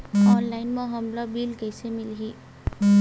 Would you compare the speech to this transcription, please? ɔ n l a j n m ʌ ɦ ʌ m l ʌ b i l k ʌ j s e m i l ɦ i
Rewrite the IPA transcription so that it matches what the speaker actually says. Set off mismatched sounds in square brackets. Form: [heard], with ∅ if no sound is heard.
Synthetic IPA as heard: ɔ n l a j n m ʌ ɦ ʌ m l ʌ b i l k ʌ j s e m i l ɦ i